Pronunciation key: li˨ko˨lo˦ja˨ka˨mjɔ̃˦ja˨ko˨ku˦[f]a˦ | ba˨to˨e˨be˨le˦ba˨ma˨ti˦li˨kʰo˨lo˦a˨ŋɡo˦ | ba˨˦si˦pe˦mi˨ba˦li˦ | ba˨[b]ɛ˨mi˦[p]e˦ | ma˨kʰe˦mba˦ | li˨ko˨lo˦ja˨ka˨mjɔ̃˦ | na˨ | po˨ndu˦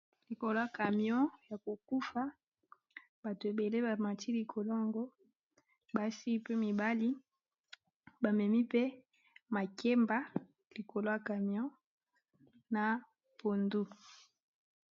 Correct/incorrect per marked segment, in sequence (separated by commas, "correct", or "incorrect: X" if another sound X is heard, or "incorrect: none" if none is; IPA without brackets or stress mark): correct, incorrect: m, correct